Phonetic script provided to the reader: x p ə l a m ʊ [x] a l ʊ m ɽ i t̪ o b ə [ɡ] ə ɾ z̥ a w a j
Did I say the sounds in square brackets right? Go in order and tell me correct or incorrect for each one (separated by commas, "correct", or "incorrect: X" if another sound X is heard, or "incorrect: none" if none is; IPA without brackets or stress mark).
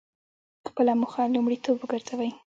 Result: correct, correct